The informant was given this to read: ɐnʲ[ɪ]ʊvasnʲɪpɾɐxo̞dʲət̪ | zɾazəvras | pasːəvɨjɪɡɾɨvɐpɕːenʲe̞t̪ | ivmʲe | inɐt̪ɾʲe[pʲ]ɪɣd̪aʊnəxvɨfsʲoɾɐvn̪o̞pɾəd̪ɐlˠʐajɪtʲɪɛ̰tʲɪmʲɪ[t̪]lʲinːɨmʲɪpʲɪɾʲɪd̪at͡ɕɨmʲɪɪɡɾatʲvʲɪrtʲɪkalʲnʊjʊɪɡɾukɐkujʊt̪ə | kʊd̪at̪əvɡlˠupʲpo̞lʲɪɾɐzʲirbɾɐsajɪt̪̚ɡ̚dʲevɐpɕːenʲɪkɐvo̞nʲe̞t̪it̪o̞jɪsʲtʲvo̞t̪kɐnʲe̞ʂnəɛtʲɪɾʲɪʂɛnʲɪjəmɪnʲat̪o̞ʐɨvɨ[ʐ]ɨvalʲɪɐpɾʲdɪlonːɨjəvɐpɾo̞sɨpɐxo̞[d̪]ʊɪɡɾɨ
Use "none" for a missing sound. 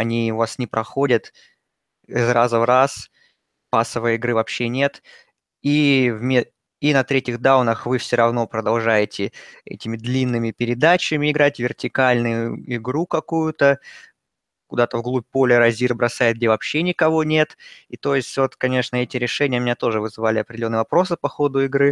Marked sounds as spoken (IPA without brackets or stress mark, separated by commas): i, tʲ, d̪, z, d̪